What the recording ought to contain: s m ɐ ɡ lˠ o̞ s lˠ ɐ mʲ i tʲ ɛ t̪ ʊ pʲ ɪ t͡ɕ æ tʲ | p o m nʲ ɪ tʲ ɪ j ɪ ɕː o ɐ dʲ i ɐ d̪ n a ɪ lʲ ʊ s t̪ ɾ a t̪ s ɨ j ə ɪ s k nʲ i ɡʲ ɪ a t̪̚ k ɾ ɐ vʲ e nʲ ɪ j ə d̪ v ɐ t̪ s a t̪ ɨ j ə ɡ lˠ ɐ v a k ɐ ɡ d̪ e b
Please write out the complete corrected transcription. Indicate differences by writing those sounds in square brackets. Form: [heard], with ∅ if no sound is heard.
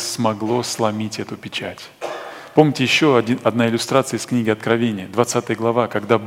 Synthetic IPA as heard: s m ɐ ɡ lˠ o̞ s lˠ ɐ mʲ i tʲ ɛ t̪ ʊ pʲ ɪ t͡ɕ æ tʲ | p o m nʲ ɪ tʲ ɪ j ɪ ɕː o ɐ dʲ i ɐ d̪ n a ɪ lʲ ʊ s t̪ ɾ a t̪ s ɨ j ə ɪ s k nʲ i ɡʲ ɪ [ɐ] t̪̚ k ɾ ɐ vʲ e nʲ ɪ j ə d̪ v ɐ t̪ s a t̪ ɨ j ə ɡ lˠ ɐ v a k ɐ ɡ d̪ [a] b